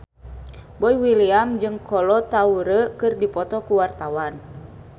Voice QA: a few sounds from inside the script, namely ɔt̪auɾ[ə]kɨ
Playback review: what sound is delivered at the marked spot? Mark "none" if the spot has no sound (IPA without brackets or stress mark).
ə